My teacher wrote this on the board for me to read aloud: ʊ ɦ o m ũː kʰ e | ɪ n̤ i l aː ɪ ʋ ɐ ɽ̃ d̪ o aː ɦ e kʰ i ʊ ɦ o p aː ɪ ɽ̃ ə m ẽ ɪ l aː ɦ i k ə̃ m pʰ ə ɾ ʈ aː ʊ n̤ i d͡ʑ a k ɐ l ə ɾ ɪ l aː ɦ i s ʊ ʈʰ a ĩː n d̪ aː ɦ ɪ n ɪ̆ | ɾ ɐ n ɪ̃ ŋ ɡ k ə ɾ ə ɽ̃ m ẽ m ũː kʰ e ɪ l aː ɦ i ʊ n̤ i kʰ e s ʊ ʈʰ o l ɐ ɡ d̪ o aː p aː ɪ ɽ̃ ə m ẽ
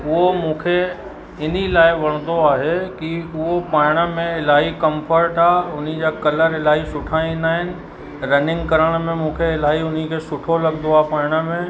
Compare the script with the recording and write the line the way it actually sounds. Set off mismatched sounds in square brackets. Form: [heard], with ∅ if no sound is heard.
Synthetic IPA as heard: ʊ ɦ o m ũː kʰ e | ɪ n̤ i l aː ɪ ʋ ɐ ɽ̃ d̪ o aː ɦ e [k] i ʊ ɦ o p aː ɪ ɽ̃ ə m ẽ ɪ l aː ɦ i k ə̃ m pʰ ə ɾ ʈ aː ʊ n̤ i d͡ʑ a k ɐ l ə ɾ ɪ l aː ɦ i s ʊ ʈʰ a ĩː n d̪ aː ɦ ɪ n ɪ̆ | ɾ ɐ n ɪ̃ ŋ ɡ k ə ɾ ə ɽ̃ m ẽ m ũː kʰ e ɪ l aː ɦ i ʊ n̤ i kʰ e s ʊ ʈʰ o l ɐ ɡ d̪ o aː p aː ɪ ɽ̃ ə m ẽ